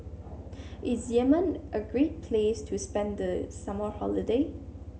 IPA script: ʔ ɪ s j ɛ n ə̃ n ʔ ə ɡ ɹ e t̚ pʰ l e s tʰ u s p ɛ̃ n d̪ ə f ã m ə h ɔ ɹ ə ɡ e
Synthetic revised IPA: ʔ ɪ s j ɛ m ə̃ n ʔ ə ɡ ɹ e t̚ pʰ l e s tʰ u s p ɛ̃ n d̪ ə s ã m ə h ɔ l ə d e